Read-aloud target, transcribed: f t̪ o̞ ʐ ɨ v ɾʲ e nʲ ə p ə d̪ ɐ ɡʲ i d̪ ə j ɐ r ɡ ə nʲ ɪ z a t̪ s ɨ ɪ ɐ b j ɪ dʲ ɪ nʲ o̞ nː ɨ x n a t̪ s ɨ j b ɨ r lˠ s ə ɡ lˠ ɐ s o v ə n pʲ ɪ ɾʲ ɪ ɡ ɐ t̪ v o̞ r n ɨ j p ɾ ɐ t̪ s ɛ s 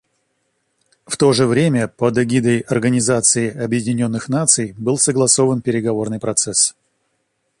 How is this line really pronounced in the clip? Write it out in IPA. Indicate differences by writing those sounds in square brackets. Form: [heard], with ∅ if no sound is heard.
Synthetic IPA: f t̪ o̞ ʐ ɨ v ɾʲ e [mʲ] ə p ə d̪ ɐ ɡʲ i d̪ ə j ɐ r ɡ ə nʲ ɪ z a t̪ s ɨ ɪ ɐ b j ɪ dʲ ɪ nʲ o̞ nː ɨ x n a t̪ s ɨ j b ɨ [∅] lˠ s ə ɡ lˠ ɐ s o v ə n pʲ ɪ ɾʲ ɪ ɡ ɐ [∅] v o̞ r n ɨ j p ɾ ɐ t̪ s ɛ s